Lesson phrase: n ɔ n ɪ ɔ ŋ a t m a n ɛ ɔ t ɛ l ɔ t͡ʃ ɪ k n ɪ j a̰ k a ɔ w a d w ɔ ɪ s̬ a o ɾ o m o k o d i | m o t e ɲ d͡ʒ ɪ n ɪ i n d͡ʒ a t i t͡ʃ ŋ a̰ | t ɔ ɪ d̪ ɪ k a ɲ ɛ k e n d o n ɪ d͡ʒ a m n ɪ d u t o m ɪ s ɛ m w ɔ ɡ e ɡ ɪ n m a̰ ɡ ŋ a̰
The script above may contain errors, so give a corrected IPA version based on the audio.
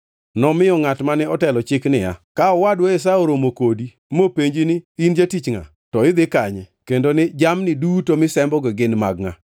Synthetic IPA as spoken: n ɔ m ɪ ɔ ŋ a t m a n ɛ ɔ t ɛ l ɔ t͡ʃ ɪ k n ɪ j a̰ k a ɔ w a d w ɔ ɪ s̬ a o ɾ o m o k o d i | m o p e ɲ d͡ʒ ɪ n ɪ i n d͡ʒ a t i t͡ʃ ŋ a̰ | t ɔ ɪ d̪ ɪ k a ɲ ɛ k e n d o n ɪ d͡ʒ a m n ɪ d u t o m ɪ s ɛ m b ɔ ɡ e ɡ ɪ n m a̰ ɡ ŋ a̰